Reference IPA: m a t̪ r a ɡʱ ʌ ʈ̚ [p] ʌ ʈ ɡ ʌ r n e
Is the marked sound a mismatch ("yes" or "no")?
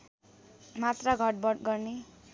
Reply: yes